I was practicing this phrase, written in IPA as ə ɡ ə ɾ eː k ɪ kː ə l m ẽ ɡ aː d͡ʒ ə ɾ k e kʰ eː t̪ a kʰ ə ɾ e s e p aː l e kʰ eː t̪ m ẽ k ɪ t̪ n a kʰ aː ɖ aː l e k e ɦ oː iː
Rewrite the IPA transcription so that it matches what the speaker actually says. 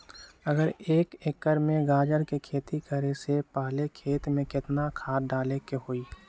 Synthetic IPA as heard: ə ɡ ə ɾ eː k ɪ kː ə ɾ m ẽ ɡ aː d͡ʒ ə ɾ k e kʰ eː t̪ i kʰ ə ɾ e s e p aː l e kʰ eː t̪ m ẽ k ɪ t̪ n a kʰ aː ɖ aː l e k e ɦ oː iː